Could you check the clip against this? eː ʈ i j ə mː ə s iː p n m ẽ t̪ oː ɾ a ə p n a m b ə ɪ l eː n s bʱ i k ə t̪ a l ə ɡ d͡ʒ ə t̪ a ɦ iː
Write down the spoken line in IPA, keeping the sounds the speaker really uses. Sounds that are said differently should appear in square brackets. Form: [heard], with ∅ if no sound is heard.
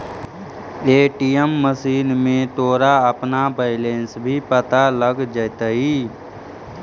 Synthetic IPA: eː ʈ i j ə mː ə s iː [∅] n m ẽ t̪ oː ɾ a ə p n a [∅] b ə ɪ l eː n s bʱ i [p] ə t̪ a l ə ɡ d͡ʒ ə t̪ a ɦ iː